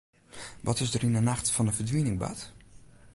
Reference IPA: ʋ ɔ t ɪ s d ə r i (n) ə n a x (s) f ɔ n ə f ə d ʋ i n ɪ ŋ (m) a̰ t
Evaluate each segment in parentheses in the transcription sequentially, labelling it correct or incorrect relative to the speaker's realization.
correct, incorrect, incorrect

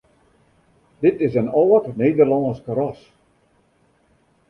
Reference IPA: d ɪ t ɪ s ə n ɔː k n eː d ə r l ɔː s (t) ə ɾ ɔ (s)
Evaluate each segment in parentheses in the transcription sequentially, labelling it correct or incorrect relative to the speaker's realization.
incorrect, correct

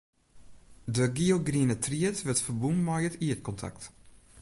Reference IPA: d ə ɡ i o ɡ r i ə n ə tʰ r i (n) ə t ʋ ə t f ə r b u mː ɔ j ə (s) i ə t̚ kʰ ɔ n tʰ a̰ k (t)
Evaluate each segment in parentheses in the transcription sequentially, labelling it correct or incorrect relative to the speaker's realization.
incorrect, incorrect, correct

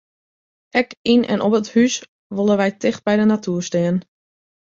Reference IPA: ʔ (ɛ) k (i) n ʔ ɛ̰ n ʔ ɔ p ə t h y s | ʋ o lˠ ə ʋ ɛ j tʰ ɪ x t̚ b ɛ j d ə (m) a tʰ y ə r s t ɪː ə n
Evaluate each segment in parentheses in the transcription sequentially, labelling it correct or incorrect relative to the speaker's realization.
correct, correct, incorrect

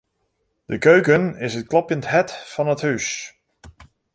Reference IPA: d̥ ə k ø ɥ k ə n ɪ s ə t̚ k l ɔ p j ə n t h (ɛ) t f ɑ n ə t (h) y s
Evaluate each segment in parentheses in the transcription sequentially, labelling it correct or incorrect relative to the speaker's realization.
correct, correct

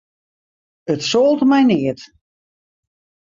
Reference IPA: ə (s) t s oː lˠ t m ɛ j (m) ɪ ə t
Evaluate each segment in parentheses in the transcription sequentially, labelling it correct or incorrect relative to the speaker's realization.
incorrect, incorrect

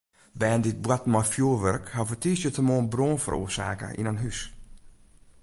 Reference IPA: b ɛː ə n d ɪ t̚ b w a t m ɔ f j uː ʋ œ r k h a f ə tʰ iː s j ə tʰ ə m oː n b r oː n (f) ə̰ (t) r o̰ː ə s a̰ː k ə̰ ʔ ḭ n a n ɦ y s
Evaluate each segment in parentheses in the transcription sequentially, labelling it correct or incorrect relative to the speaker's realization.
correct, incorrect

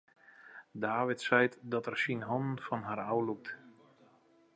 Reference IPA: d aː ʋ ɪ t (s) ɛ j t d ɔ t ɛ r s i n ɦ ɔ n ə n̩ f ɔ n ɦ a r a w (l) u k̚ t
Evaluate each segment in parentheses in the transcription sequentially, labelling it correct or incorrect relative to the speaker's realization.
correct, correct

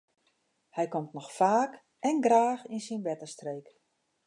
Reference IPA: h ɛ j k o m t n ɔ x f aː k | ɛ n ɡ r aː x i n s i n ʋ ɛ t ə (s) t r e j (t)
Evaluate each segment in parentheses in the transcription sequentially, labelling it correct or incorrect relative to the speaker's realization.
correct, incorrect

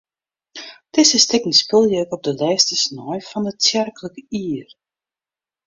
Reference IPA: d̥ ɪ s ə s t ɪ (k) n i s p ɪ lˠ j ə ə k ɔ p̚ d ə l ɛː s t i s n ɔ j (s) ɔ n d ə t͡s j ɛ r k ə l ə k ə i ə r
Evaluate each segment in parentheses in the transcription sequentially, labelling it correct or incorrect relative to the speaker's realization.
correct, incorrect

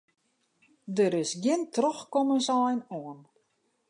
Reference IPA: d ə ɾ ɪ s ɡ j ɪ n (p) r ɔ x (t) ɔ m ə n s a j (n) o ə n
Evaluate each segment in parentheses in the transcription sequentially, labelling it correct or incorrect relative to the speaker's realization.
incorrect, incorrect, correct

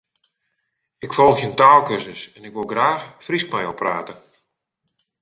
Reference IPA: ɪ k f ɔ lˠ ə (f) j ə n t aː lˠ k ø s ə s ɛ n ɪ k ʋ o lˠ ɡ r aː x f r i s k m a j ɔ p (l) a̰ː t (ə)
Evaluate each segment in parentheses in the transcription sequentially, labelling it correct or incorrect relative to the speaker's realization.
incorrect, incorrect, correct

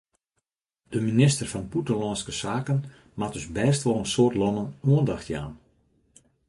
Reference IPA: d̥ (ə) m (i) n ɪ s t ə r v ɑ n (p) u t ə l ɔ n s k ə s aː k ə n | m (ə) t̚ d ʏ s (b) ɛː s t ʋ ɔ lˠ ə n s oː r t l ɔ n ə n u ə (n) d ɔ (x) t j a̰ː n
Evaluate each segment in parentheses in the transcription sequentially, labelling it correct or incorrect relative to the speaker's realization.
correct, correct, correct, incorrect, correct, correct, correct

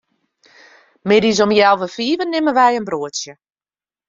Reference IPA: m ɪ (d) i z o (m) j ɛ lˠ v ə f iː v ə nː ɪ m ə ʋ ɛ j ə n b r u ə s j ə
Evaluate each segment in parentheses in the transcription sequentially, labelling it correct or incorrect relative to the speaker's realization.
correct, correct

